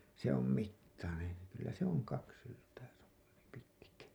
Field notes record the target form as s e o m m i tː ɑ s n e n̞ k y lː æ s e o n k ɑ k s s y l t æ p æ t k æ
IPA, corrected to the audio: s e o m m i tː ɑ n e n̞ k y lː æ s e o ŋ k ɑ k s s y l t æː p i t k æ